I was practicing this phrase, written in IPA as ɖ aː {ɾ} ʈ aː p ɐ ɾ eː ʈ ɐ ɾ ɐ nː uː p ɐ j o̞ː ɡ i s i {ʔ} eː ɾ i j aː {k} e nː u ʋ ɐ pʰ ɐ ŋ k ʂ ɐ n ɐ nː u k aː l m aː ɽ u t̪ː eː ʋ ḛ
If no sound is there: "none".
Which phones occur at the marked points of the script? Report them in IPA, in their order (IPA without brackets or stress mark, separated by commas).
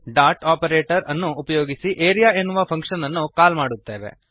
ɾ, ʔ, none